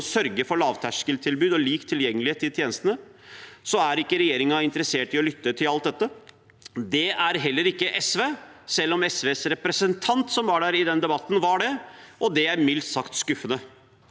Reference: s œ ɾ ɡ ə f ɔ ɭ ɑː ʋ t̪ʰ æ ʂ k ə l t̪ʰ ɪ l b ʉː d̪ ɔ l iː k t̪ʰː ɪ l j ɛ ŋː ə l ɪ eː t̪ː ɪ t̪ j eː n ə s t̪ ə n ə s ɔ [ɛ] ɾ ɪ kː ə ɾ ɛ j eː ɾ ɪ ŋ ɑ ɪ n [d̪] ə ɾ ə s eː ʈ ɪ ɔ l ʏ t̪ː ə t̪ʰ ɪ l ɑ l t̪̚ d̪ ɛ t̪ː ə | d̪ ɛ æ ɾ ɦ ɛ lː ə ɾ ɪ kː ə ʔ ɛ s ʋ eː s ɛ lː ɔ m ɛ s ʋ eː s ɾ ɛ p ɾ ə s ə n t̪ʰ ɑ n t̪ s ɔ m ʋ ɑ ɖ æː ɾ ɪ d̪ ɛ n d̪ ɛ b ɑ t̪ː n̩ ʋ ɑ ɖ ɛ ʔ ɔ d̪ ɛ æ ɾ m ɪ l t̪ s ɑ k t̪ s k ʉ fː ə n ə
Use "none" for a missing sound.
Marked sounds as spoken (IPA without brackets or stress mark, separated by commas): æ, t̪